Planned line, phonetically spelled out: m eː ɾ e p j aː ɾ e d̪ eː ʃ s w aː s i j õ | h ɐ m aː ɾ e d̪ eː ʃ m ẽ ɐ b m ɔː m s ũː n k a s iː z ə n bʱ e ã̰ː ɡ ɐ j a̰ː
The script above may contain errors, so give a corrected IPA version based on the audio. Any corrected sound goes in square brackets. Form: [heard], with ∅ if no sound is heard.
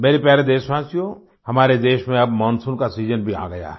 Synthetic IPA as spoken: m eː ɾ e p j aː ɾ e d̪ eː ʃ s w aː s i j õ | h ɐ m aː ɾ e d̪ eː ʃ m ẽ ɐ b m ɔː [n] s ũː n k a s iː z ə n bʱ [i] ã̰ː ɡ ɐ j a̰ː